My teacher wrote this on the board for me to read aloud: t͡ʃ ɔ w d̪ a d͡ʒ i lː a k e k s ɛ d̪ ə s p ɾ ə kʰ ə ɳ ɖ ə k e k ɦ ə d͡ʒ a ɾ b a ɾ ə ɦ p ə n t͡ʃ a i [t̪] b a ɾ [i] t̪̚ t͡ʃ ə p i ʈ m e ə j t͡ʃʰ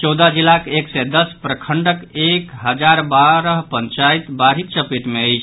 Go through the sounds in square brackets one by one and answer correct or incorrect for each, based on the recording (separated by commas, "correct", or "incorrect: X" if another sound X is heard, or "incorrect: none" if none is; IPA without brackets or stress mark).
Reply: correct, correct